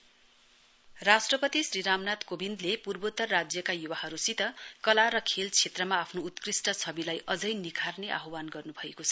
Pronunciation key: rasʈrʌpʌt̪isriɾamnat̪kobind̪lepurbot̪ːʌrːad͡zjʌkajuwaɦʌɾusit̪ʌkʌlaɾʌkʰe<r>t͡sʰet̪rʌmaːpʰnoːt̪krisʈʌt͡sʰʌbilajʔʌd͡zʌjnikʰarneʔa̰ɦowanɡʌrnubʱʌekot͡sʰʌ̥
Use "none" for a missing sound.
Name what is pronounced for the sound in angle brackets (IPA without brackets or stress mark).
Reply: l